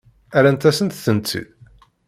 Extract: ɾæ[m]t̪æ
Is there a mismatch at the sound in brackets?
yes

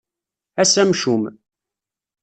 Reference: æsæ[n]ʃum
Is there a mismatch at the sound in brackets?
yes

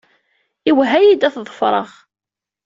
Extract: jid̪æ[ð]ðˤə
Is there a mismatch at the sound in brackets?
yes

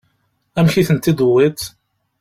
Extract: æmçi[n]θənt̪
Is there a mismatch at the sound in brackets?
yes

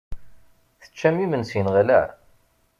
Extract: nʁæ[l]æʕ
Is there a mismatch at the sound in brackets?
no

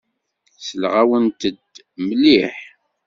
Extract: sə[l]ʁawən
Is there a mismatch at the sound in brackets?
no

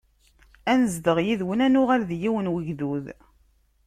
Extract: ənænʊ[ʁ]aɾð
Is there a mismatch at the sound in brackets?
no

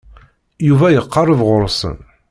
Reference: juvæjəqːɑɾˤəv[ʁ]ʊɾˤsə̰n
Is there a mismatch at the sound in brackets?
no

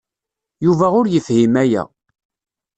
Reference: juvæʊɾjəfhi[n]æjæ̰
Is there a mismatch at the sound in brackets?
yes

